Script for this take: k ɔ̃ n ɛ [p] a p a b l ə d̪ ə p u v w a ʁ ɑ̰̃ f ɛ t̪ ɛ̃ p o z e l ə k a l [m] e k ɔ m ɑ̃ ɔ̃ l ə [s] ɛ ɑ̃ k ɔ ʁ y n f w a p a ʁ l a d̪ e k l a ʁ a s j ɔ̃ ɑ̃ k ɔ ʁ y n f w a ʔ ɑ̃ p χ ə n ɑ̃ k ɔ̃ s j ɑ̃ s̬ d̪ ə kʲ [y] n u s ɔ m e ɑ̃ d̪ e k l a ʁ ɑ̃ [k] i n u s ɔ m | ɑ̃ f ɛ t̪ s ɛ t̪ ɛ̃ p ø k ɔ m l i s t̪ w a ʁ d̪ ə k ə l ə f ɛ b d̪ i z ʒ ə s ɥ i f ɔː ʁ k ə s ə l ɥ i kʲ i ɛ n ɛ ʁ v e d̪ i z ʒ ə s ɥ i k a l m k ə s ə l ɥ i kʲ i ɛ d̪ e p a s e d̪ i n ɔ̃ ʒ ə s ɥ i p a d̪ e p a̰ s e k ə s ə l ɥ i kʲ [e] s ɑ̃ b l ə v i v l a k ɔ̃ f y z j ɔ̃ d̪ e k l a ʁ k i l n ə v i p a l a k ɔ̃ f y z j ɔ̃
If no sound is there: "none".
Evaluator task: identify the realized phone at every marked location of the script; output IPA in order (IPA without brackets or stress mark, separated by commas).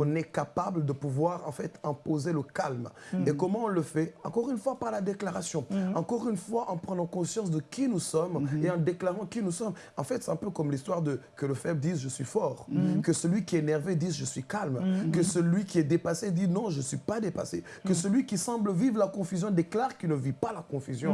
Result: k, m, f, i, k, i